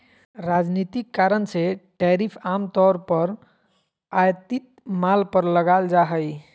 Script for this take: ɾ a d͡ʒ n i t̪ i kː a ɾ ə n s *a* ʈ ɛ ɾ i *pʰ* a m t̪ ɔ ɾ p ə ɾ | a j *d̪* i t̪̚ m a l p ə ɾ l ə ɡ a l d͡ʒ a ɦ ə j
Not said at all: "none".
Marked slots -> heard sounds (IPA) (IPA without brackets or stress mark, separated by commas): e, pʰ, t̪